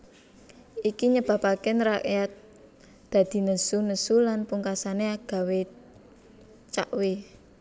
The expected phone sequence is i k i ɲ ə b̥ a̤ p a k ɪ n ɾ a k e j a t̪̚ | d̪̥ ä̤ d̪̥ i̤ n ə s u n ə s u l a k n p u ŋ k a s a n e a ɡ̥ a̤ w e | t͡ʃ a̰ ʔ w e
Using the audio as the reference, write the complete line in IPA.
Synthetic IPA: i k i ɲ ə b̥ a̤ p a k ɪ n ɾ a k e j a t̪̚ | d̪̥ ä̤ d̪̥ i̤ n ə s u n ə s u l a n p u ŋ k a s a n e a ɡ̥ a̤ w e | t͡ʃ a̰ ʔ w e